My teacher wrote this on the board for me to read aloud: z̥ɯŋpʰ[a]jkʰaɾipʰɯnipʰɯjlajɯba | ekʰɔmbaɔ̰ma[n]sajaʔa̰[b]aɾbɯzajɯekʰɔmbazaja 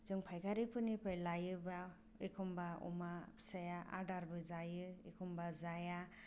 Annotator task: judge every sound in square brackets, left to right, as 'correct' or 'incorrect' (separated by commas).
correct, incorrect, incorrect